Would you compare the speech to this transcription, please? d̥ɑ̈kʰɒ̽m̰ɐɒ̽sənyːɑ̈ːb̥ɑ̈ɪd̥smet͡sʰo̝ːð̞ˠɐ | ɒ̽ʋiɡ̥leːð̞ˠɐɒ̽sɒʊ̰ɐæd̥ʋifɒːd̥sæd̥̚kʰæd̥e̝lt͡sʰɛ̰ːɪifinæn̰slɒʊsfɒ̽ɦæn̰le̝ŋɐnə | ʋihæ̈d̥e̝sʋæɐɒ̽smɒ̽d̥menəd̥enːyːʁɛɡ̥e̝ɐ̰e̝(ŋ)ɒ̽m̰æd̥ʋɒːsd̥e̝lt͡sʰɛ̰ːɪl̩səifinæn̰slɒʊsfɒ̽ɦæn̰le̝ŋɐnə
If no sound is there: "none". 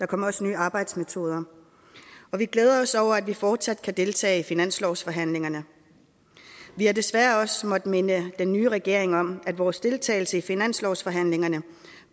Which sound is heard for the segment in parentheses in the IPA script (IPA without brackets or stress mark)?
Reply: ŋ